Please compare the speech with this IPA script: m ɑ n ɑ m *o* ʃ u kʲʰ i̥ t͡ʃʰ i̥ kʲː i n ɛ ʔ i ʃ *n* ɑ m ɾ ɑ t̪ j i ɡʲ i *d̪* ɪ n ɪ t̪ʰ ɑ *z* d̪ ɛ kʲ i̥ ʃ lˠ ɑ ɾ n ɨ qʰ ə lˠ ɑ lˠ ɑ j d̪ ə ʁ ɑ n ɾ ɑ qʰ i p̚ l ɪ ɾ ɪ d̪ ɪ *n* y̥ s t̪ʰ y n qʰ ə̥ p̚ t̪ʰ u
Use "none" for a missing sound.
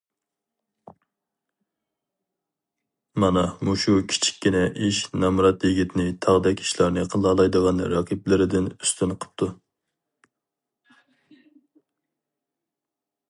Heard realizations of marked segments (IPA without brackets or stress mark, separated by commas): u, n, t̪, ʁ, n